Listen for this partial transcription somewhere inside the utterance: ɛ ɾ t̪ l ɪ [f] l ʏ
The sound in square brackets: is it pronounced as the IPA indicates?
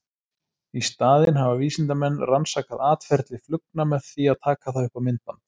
yes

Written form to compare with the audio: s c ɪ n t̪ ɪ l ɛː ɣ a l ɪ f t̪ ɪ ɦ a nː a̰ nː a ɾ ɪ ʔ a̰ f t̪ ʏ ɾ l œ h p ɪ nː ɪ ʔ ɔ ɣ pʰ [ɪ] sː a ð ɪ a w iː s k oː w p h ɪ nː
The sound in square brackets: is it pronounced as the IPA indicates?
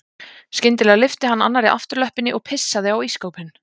yes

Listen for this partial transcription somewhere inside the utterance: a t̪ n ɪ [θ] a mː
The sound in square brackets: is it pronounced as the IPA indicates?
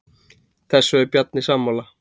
no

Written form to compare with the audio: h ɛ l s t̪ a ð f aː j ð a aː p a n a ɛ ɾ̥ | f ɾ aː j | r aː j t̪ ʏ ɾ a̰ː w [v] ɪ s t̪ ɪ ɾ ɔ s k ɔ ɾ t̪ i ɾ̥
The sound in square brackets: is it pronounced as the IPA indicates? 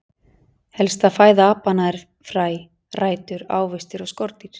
yes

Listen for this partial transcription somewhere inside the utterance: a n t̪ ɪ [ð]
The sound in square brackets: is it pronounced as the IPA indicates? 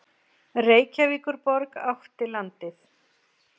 no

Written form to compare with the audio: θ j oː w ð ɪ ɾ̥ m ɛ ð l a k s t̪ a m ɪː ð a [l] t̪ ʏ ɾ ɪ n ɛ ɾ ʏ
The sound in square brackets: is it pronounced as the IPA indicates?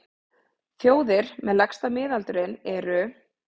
yes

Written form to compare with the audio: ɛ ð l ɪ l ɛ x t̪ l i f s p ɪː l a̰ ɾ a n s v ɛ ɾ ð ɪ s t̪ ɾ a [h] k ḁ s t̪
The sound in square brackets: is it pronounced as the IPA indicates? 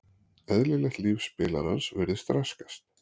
no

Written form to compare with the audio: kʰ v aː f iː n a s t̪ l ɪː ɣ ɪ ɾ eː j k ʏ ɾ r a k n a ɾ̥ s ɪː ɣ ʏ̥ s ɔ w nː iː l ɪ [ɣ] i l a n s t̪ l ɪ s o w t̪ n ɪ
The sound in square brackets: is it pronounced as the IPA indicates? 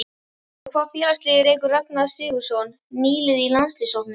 no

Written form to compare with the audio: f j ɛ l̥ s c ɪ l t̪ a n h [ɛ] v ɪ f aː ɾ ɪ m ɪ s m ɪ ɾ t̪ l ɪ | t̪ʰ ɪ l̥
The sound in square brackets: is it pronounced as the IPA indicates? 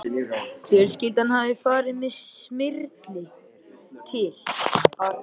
no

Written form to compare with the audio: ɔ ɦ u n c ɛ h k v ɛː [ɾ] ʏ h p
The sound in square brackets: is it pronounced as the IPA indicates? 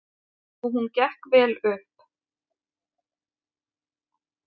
no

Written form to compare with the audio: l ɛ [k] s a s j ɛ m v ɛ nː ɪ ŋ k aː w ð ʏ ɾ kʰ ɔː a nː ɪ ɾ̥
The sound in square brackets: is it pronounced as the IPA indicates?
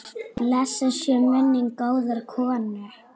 no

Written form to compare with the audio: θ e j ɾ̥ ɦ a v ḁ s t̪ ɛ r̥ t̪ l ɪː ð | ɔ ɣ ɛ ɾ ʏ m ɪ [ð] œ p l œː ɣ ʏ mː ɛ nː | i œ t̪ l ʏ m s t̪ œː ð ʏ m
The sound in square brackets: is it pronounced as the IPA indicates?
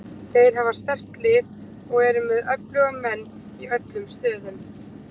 yes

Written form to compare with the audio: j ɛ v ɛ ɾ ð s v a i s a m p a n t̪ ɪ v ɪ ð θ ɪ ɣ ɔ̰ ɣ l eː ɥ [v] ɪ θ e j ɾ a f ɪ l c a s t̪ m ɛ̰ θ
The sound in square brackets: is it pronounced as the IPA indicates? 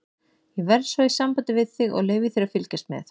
yes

